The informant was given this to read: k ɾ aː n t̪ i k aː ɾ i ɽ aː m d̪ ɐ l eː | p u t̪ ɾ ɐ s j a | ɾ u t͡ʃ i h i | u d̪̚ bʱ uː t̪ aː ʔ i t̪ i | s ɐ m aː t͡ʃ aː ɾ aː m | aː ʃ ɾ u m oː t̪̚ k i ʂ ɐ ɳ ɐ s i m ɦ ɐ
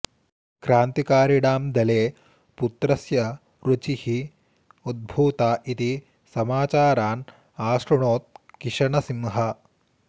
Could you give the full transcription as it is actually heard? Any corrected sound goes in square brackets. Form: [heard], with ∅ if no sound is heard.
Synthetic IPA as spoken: k ɾ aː n t̪ i k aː ɾ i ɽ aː m d̪ ɐ l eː | p u t̪ ɾ ɐ s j [ɐ] | ɾ u t͡ʃ i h i | u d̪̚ bʱ uː t̪ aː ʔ i t̪ i | s ɐ m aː t͡ʃ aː ɾ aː [n] | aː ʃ ɾ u [ɳ] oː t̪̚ k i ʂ ɐ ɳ ɐ s i m ɦ ɐ